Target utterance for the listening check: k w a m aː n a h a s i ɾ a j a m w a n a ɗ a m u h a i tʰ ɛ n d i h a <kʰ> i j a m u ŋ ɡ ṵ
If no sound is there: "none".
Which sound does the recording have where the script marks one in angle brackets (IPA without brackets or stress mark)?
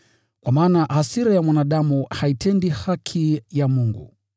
kʰ